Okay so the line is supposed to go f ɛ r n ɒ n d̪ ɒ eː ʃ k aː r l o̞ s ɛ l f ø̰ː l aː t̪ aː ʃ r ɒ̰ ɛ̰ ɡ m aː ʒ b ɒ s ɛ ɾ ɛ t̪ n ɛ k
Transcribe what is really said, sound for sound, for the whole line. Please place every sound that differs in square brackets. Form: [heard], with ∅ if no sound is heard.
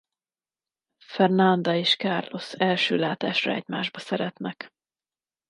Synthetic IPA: f ɛ r n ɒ n d̪ ɒ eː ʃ k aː r l o̞ s ɛ l [ʃ] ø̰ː l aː t̪ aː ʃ r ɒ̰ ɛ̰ [ɟ] m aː ʒ b ɒ s ɛ ɾ ɛ t̪ n ɛ k